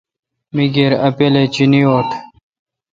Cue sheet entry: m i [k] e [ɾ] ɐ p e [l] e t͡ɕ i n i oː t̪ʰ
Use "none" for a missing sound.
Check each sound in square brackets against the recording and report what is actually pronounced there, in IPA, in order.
ɡ, ɾ, l

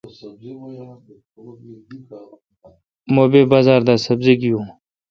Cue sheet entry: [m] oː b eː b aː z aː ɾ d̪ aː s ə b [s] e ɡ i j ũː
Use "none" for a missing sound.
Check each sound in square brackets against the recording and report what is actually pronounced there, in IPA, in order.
m, z

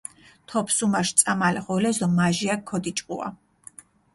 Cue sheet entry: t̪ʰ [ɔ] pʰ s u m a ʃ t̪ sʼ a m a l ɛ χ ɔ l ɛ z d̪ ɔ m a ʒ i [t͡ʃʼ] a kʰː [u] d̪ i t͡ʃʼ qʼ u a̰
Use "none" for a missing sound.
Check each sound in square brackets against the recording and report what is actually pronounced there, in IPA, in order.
ɔ, none, ɔ

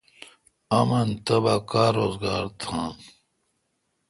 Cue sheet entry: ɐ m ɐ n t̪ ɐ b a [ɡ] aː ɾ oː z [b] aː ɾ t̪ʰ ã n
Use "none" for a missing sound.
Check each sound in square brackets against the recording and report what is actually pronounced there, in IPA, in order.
k, ɡ

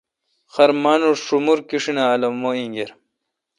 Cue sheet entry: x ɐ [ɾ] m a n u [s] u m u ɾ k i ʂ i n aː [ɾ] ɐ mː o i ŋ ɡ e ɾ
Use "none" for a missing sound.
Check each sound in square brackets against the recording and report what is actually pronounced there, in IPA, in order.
ɾ, ʂ, l

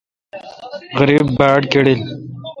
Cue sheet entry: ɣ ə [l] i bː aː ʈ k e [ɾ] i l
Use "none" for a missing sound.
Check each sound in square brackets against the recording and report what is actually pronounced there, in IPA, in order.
ɾ, ɽ

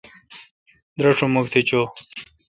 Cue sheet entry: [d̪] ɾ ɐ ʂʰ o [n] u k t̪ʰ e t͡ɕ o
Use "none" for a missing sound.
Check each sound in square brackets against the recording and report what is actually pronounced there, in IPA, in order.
d̪, m

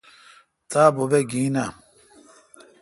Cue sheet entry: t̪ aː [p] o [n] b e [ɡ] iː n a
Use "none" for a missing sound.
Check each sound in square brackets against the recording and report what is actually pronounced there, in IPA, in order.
b, none, ɡ

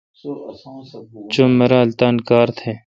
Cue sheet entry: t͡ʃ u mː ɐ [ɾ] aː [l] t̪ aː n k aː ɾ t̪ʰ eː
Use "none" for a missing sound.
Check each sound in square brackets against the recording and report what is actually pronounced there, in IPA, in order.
ɾ, l

